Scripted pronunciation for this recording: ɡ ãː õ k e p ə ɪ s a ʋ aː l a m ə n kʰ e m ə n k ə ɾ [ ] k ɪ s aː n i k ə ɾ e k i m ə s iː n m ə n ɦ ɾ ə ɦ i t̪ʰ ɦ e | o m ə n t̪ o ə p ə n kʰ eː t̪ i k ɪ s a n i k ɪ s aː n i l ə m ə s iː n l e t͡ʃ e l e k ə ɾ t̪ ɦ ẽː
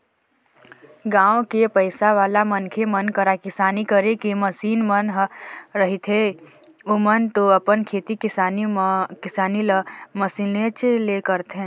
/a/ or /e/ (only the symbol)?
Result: a